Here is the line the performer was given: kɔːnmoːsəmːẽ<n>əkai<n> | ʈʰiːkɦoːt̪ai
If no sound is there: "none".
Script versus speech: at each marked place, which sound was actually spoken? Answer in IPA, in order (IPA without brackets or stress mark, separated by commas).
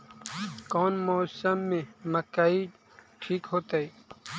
m, none